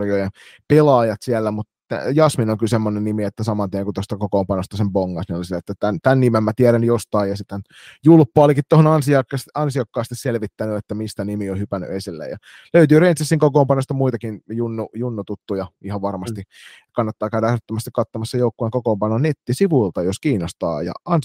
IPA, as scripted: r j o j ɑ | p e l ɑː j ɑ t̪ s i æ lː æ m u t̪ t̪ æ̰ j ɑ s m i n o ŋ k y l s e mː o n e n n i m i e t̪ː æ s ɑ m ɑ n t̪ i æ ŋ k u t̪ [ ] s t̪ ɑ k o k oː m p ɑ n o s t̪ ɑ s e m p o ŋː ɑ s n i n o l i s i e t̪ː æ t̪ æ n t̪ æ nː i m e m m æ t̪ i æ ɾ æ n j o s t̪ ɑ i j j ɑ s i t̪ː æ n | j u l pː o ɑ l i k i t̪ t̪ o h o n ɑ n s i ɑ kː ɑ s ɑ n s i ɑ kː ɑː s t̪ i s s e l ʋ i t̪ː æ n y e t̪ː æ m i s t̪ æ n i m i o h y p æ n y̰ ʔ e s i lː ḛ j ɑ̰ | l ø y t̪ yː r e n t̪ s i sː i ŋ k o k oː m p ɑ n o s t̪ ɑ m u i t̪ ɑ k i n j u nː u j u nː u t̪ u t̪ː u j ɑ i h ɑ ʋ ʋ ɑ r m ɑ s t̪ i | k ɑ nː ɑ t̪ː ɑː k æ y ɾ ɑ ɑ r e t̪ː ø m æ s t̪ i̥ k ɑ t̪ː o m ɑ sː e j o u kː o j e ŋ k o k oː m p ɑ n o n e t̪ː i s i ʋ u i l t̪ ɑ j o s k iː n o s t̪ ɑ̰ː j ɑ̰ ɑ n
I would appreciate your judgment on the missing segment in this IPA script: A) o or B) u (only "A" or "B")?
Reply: A